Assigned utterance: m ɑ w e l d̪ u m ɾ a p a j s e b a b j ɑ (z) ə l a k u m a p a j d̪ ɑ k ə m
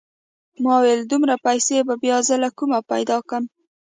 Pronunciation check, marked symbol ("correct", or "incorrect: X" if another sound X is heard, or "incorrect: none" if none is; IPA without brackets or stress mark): correct